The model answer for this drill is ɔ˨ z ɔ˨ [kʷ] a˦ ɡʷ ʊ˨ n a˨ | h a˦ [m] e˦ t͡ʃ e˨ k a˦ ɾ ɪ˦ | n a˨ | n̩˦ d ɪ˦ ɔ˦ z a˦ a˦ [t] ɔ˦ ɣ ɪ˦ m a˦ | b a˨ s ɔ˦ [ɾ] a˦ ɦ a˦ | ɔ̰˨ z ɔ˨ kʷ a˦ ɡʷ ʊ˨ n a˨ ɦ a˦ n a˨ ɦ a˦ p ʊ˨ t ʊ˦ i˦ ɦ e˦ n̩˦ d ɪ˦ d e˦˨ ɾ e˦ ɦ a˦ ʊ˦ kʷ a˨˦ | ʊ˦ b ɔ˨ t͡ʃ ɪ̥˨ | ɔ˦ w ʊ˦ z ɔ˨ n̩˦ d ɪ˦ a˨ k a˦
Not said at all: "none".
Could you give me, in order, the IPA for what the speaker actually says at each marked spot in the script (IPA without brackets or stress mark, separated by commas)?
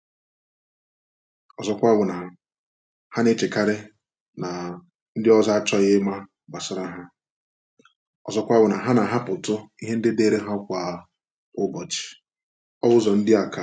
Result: kʷ, n, t͡ʃ, ɾ